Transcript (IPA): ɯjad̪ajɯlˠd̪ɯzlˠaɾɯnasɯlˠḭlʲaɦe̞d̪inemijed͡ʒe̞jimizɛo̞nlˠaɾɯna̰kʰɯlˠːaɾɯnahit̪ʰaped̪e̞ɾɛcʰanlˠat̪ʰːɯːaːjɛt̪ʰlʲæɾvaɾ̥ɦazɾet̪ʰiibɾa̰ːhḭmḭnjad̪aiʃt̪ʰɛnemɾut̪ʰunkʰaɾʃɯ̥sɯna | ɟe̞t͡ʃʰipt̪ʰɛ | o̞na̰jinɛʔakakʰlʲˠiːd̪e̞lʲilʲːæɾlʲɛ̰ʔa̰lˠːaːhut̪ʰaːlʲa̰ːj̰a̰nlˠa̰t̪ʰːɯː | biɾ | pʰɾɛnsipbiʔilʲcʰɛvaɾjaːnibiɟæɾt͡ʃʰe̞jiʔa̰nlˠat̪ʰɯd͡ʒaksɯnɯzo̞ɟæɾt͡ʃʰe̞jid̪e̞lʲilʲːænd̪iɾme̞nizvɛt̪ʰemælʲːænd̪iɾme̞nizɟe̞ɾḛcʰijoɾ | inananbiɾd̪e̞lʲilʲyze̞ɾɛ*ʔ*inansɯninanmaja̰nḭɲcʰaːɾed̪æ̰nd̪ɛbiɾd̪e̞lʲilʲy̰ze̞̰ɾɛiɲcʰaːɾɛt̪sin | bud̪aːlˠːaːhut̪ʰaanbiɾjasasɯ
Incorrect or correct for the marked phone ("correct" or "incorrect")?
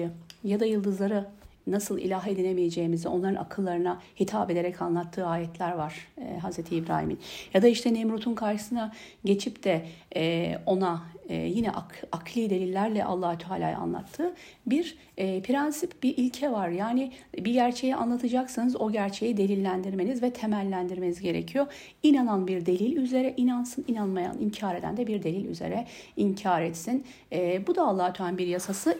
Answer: correct